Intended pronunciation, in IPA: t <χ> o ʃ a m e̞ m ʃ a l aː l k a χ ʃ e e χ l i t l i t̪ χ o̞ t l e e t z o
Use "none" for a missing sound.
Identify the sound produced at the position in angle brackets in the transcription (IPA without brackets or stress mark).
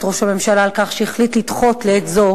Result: ʁ